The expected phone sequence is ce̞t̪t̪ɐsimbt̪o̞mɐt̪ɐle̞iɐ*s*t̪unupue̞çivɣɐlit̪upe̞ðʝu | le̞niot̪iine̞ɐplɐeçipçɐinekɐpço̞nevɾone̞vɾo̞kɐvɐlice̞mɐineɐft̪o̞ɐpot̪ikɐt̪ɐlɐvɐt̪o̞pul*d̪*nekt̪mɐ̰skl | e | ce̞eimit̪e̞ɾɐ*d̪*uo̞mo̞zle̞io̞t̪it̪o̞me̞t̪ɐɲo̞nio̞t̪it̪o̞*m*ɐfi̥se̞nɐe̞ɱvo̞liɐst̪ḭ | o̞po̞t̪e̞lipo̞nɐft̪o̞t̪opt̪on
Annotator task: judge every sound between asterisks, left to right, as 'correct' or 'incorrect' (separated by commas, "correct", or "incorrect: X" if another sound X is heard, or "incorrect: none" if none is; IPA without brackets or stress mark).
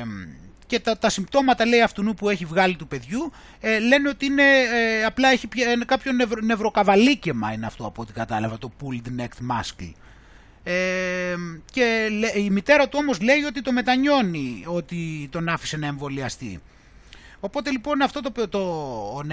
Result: incorrect: f, correct, incorrect: t̪, incorrect: n